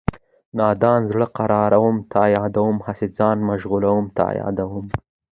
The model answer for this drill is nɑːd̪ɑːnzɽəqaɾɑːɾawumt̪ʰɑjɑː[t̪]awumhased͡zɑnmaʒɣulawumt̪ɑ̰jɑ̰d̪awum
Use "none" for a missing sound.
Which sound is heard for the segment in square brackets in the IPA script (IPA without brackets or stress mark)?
d̪